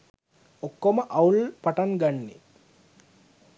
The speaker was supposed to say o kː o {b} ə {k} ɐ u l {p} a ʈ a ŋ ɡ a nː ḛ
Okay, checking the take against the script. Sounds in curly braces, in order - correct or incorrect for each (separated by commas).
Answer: incorrect, incorrect, correct